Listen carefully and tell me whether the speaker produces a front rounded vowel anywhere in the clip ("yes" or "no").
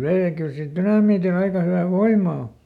yes